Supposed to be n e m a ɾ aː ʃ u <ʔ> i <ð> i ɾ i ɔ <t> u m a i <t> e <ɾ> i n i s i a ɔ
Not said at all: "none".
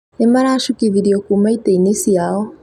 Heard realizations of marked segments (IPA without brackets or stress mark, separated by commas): k, ð, k, t, none